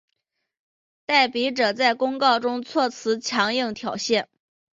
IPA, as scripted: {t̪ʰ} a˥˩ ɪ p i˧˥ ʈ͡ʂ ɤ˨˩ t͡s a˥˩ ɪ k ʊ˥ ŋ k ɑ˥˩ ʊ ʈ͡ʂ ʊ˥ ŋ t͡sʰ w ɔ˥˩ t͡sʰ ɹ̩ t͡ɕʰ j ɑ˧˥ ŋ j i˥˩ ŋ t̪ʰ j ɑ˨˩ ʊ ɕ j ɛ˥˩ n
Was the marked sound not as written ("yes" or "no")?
yes